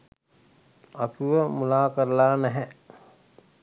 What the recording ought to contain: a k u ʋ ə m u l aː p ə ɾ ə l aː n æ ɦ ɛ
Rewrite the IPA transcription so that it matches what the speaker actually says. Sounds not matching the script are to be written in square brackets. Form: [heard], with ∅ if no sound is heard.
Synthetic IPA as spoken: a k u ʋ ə m u l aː [k] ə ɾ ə l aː n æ ɦ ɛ